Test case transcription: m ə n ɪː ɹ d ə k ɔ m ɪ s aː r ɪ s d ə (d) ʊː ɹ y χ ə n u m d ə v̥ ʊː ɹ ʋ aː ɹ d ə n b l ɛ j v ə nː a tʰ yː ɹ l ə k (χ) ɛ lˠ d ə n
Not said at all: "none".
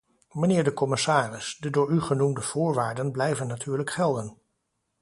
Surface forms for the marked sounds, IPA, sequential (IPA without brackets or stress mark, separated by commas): d, χ